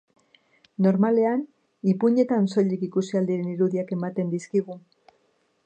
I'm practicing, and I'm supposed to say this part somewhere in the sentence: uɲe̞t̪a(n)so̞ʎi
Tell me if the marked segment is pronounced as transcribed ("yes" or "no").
yes